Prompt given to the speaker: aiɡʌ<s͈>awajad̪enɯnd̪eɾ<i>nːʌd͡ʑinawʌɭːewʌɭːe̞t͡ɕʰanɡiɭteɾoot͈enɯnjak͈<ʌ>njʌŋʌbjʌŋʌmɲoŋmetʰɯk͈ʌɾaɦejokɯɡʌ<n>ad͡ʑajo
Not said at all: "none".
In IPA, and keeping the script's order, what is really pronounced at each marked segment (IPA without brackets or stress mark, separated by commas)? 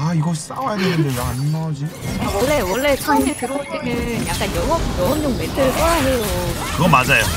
s͈, a, a, m